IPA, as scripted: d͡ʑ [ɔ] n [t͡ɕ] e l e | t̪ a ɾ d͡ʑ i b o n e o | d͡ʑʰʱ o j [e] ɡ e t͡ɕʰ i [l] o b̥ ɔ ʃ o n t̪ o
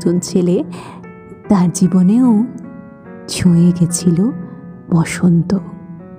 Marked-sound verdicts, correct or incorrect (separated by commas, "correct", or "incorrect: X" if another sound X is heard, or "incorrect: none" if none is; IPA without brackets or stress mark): incorrect: o, incorrect: t͡ɕʰ, correct, correct